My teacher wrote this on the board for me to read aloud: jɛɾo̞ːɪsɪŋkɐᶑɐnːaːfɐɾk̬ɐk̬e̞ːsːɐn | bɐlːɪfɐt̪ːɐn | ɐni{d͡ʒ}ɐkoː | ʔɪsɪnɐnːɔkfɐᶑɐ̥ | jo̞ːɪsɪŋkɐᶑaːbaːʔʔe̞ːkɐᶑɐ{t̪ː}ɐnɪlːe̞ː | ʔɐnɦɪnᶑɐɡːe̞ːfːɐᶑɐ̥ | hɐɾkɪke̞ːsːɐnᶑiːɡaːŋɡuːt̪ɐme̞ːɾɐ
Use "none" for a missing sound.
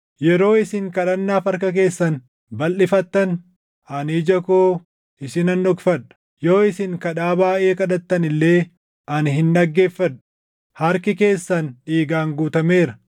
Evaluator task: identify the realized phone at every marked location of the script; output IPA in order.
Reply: d͡ʒ, t̪ː

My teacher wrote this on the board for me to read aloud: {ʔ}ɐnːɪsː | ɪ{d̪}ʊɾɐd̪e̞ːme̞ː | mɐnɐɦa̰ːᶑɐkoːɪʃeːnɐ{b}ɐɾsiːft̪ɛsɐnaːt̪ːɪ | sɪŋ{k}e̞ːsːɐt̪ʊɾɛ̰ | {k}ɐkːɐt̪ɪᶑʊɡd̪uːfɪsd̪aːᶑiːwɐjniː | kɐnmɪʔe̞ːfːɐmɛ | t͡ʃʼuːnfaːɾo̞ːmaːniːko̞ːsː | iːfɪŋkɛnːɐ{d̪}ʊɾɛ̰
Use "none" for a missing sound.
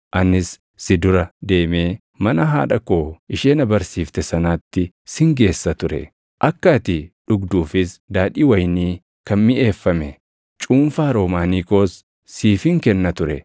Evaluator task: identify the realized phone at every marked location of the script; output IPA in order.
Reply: ʔ, d̪, b, ɡ, ʔ, t̪

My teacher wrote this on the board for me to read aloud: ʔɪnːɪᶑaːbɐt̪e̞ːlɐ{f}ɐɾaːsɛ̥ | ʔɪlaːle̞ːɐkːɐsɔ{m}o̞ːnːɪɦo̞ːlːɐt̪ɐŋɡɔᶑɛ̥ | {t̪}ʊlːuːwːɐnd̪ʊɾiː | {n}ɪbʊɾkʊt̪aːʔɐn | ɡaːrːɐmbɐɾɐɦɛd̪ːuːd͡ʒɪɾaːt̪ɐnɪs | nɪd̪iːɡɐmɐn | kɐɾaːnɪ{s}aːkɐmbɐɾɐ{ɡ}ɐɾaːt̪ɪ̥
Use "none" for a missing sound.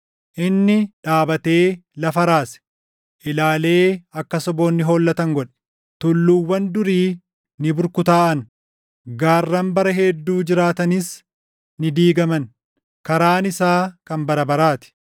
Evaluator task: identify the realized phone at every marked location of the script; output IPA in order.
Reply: f, b, t̪, n, s, b

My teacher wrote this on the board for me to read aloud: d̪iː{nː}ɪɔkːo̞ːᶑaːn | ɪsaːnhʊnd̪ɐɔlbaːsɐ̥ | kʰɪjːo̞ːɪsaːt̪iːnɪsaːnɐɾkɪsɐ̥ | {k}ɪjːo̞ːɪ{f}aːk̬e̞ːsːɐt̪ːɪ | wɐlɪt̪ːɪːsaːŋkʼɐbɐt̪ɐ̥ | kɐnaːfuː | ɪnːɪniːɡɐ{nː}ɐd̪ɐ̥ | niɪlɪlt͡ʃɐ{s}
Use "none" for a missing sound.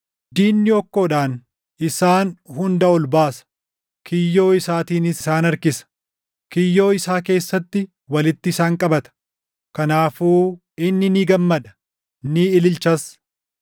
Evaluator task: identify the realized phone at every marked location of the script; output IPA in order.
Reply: nː, k, s, mː, s

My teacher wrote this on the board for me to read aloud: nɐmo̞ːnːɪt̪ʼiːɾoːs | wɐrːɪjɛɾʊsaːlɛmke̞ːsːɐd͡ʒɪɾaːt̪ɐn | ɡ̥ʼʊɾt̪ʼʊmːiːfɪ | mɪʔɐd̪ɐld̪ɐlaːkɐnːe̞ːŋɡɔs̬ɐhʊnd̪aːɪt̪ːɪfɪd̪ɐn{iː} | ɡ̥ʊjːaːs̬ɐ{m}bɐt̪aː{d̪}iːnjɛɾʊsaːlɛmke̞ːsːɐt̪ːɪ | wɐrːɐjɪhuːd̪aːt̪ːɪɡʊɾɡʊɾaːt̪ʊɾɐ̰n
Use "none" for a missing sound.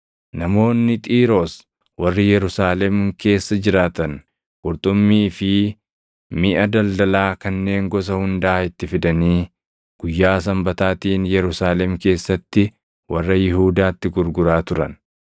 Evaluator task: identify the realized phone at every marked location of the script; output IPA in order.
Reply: iː, m, t̪

